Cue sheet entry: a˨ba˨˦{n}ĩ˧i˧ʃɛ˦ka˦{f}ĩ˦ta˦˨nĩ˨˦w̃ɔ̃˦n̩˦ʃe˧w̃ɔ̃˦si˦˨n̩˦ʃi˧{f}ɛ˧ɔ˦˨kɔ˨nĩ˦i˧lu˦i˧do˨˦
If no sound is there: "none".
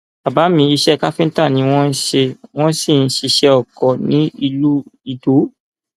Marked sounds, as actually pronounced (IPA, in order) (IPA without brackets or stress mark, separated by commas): m, f, ʃ